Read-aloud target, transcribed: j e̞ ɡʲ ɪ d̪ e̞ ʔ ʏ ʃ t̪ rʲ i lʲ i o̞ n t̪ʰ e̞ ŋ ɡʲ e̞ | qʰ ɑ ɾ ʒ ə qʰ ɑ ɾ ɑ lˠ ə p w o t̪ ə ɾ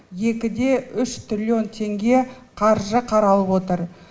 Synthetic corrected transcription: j e̞ kʲ ɪ d̪ e̞ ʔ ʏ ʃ t̪ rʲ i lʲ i o̞ n t̪ʰ e̞ ŋ ɡʲ e̞ | qʰ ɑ ɾ ʒ ə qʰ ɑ ɾ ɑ lˠ ə p w o t̪ ə ɾ